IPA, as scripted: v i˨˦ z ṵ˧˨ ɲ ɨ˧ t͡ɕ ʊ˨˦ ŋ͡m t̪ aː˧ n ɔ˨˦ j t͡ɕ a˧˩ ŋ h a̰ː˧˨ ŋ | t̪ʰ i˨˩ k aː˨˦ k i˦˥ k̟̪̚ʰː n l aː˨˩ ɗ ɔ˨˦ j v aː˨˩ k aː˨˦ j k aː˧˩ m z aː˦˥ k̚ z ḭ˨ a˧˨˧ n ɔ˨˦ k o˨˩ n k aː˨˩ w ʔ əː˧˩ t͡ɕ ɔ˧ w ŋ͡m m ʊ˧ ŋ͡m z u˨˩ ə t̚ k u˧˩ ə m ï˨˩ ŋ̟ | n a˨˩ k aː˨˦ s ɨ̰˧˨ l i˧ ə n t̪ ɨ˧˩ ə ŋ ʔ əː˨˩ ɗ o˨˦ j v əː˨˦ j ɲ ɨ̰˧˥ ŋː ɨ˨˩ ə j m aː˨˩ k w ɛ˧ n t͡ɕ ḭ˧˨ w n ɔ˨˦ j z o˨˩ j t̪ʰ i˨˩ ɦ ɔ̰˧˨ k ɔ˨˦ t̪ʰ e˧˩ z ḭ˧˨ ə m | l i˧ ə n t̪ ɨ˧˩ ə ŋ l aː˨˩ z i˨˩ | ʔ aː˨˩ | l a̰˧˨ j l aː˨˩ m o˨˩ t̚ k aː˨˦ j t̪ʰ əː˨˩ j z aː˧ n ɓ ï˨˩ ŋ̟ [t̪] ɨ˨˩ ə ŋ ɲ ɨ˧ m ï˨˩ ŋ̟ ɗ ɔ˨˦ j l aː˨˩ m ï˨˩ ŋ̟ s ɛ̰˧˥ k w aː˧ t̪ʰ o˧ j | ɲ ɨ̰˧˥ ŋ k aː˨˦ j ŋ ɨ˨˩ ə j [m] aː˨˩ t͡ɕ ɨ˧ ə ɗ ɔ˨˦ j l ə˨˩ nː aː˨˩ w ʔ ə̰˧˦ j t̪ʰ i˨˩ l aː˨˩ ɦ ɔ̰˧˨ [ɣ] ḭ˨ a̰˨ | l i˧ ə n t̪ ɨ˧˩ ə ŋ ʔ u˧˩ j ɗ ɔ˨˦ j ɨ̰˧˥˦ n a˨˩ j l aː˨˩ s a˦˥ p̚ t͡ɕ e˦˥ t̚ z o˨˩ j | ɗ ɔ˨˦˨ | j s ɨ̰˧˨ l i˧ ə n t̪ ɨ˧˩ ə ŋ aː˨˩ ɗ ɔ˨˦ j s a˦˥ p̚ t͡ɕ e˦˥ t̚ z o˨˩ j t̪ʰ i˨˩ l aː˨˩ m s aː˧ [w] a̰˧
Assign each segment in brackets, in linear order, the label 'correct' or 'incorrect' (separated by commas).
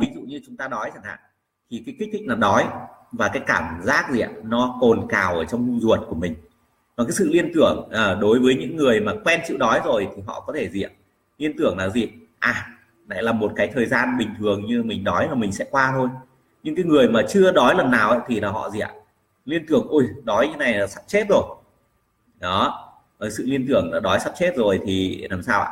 incorrect, correct, incorrect, correct